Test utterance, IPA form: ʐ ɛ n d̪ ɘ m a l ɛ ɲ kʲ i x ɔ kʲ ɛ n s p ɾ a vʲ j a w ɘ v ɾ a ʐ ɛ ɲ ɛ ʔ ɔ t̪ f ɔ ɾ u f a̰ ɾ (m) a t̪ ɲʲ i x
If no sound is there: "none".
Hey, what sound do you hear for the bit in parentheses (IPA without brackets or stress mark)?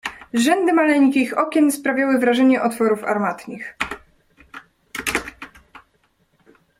m